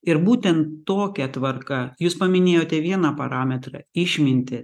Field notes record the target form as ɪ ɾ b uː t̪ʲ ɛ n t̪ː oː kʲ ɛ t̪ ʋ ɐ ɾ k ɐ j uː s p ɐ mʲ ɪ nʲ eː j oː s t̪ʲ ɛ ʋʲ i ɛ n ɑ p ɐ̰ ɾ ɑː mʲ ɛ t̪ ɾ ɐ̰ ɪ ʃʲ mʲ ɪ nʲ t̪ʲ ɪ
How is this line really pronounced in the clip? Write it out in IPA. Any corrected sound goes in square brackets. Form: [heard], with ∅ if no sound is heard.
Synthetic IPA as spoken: ɪ ɾ b uː t̪ʲ ɛ n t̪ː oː kʲ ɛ t̪ ʋ ɐ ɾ k ɐ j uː s p ɐ mʲ ɪ nʲ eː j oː [∅] t̪ʲ ɛ ʋʲ i ɛ n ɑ p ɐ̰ ɾ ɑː mʲ ɛ t̪ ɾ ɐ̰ ɪ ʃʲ mʲ ɪ nʲ t̪ʲ ɪ